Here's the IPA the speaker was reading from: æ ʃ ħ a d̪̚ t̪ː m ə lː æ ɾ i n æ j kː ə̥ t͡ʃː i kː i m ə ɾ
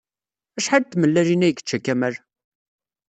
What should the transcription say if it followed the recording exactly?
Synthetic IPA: æ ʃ ħ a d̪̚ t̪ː m ə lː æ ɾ i n æ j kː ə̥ t͡ʃː æ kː æ m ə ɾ